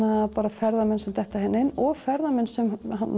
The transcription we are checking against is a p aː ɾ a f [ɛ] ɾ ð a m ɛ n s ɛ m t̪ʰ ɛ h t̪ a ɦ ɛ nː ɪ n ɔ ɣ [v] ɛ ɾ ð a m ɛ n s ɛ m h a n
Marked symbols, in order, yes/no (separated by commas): yes, no